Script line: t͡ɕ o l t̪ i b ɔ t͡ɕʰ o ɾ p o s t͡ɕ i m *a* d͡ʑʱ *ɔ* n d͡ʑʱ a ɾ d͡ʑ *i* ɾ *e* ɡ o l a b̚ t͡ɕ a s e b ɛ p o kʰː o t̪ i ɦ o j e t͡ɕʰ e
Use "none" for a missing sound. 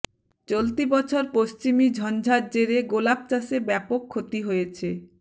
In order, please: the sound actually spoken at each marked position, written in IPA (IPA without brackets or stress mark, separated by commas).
i, ɔ, e, e